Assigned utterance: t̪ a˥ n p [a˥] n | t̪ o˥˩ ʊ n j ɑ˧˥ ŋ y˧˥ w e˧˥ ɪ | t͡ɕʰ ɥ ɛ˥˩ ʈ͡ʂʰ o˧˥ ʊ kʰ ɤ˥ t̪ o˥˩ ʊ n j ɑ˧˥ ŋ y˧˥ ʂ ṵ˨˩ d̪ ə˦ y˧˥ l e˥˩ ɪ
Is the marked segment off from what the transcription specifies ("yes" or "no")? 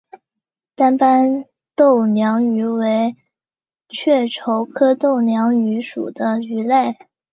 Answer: no